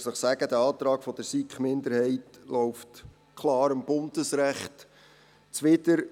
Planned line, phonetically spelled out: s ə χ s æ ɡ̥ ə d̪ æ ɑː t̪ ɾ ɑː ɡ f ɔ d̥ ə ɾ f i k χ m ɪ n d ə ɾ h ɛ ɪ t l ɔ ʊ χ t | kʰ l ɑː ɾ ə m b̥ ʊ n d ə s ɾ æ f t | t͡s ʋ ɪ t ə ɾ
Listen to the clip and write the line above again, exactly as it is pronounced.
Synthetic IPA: s ə χ s æ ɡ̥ ə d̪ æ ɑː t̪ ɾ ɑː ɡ f ɔ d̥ ə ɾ s i k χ m ɪ n d ə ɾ h ɛ ɪ t l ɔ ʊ f t | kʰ l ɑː ɾ ə m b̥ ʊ n d ə s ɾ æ χ t | t͡s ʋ ɪ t ə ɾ